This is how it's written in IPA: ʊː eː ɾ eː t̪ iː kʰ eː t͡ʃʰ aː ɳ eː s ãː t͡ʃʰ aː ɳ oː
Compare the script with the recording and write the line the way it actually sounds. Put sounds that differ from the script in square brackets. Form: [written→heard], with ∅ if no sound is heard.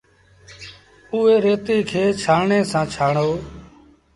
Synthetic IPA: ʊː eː ɾ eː t̪ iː kʰ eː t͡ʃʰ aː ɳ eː s ãː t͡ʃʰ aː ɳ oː